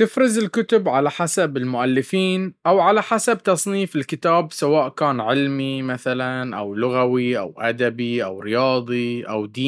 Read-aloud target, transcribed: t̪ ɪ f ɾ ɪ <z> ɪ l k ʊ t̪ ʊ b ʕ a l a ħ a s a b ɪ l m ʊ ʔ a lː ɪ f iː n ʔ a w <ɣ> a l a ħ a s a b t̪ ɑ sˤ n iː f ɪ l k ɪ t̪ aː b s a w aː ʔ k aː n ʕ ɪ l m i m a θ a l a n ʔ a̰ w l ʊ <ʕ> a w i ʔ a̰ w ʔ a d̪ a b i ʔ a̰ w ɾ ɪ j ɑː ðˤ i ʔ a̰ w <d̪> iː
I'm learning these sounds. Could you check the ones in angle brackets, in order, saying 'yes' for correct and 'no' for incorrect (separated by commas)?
yes, no, no, yes